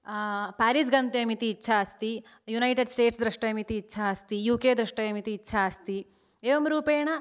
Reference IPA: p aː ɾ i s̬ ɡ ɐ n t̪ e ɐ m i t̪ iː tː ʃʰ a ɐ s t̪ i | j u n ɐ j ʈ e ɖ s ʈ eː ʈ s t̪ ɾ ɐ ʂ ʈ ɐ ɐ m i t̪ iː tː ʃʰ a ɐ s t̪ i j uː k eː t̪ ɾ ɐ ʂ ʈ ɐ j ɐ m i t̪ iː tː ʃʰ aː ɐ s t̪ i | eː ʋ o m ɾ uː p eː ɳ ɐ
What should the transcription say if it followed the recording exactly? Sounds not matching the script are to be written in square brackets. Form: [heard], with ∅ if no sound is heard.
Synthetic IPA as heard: p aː ɾ i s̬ ɡ ɐ n t̪ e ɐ m i t̪ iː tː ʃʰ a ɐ s t̪ i | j u n ɐ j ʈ e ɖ s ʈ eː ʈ s [d̪] ɾ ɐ ʂ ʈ ɐ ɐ m i t̪ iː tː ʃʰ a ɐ s t̪ i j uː k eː [d̪] ɾ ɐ ʂ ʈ ɐ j ɐ m i t̪ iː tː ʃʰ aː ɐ s t̪ i | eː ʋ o m ɾ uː p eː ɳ ɐ